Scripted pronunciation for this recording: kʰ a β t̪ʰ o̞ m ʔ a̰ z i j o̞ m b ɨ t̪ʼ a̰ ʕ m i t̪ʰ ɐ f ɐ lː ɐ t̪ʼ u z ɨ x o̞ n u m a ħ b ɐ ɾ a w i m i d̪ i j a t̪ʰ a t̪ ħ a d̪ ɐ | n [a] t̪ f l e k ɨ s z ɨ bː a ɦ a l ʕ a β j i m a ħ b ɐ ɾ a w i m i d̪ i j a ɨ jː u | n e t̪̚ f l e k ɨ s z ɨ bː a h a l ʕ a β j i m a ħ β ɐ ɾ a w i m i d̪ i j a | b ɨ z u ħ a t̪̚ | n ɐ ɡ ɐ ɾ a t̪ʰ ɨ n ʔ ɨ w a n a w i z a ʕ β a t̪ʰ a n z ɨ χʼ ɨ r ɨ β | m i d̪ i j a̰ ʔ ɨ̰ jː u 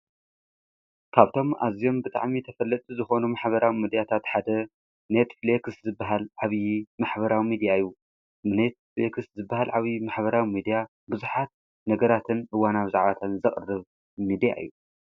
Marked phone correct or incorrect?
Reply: incorrect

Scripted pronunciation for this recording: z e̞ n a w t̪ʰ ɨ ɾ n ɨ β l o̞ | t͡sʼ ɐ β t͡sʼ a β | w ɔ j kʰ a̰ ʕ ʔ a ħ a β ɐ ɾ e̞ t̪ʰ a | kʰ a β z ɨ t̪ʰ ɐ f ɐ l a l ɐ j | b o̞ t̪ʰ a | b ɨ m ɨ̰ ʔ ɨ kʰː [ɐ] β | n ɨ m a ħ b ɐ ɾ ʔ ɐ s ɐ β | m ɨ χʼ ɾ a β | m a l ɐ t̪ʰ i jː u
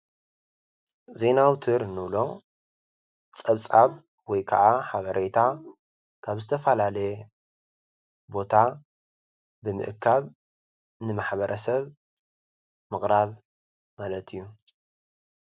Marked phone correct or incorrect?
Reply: incorrect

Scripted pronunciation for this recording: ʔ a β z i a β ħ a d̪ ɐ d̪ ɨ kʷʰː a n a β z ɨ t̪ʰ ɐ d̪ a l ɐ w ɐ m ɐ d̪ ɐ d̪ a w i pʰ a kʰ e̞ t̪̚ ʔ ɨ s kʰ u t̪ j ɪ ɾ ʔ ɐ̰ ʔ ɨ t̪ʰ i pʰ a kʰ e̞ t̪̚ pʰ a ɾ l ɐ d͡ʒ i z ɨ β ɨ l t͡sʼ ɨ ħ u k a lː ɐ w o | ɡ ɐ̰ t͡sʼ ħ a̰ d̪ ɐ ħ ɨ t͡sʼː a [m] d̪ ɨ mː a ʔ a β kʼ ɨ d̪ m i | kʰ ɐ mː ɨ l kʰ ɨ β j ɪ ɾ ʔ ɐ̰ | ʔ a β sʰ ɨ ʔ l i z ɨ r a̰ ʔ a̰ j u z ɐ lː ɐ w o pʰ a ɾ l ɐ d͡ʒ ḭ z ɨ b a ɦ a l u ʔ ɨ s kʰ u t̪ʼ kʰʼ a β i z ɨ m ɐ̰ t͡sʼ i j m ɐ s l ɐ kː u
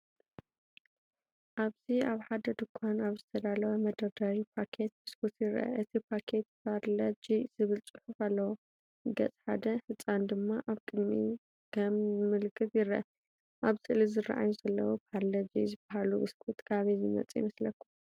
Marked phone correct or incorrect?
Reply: incorrect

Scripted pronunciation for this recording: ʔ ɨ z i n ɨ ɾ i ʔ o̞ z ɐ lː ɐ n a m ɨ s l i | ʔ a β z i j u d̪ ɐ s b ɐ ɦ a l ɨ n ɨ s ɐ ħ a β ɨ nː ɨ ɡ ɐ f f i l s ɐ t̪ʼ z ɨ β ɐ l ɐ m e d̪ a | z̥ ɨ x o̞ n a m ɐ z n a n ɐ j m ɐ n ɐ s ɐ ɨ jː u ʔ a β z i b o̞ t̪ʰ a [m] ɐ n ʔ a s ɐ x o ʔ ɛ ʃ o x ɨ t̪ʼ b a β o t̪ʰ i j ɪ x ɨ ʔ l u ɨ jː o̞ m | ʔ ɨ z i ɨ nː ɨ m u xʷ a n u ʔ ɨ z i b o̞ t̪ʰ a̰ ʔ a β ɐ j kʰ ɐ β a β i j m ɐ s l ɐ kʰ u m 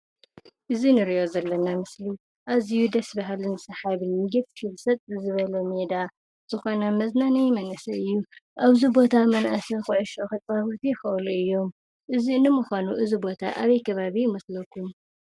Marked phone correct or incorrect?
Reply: correct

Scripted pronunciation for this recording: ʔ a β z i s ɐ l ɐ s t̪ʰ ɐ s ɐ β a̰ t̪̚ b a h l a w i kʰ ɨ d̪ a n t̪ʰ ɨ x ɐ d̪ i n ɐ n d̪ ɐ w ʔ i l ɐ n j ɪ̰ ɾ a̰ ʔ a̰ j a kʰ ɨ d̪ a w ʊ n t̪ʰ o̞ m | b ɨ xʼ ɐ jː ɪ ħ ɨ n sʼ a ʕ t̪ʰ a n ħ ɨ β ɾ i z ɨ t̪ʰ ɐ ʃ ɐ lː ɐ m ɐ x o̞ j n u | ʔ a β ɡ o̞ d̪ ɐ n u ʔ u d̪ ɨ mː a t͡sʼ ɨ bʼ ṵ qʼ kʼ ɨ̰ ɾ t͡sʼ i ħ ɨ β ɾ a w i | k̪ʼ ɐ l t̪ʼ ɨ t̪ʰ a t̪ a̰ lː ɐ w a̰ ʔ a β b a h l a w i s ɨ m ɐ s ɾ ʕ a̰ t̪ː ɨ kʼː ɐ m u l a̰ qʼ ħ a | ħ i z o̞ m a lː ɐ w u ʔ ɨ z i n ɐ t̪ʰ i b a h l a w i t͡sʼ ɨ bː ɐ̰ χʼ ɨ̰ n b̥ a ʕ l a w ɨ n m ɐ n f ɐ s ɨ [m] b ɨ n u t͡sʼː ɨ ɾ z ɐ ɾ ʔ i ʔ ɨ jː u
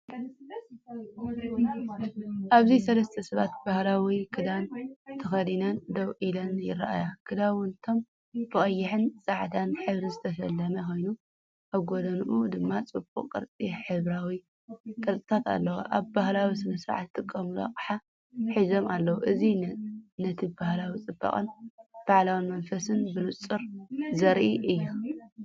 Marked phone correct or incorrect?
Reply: incorrect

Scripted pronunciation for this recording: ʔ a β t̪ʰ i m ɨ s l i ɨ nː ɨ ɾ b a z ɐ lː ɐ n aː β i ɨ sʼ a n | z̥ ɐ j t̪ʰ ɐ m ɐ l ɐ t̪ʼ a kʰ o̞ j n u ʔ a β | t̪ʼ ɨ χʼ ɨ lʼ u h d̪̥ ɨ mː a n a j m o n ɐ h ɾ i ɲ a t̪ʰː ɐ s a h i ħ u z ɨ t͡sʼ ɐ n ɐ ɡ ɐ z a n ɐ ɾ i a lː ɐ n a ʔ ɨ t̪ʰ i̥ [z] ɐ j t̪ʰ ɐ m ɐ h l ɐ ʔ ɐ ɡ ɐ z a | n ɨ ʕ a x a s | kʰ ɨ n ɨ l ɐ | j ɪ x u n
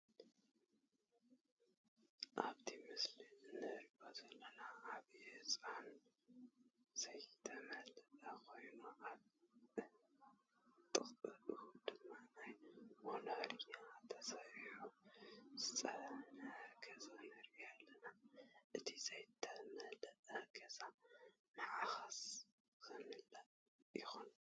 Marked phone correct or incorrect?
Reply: correct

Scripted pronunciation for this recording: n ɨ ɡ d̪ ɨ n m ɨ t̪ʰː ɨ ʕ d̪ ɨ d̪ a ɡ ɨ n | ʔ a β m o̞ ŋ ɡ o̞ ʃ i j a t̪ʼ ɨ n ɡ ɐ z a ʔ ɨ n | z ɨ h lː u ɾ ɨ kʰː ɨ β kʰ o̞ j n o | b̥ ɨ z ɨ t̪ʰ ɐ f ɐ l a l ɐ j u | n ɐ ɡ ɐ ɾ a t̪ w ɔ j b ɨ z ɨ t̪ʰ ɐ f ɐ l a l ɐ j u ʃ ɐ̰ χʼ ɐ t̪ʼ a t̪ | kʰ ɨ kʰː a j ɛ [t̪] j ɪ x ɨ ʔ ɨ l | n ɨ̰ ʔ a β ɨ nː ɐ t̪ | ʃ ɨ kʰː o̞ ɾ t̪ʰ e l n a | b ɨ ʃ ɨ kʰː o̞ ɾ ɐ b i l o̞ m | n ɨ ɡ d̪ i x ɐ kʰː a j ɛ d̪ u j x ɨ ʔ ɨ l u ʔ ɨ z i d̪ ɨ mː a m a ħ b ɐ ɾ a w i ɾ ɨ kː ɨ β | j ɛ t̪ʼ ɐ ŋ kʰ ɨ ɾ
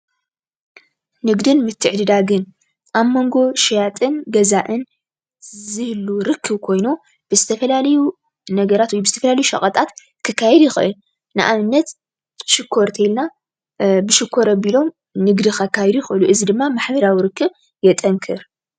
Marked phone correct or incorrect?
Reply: incorrect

